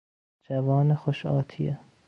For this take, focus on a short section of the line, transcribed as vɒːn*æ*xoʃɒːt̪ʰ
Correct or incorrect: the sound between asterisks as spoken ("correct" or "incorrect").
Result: incorrect